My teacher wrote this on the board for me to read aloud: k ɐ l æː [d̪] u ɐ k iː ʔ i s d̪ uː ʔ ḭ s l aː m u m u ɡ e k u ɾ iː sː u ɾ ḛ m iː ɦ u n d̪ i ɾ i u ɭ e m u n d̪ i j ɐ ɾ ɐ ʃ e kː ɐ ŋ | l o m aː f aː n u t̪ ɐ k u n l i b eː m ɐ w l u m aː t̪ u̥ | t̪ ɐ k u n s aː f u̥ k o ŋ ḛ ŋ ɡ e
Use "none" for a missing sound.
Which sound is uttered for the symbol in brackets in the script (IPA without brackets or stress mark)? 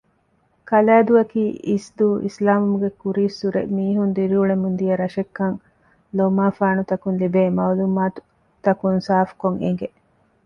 d̪